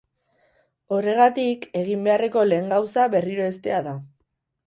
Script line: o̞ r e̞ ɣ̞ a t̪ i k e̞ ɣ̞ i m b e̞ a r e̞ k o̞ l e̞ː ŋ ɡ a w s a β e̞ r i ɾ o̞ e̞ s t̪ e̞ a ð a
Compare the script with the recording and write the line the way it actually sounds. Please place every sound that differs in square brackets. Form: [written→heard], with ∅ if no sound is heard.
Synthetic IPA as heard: o̞ r e̞ ɣ̞ a t̪ i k e̞ ɣ̞ i m b e̞ a r e̞ k o̞ l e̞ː ŋ ɡ a w s a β e̞ r i ɾ o̞ e̞ s t̪ e̞ a ð a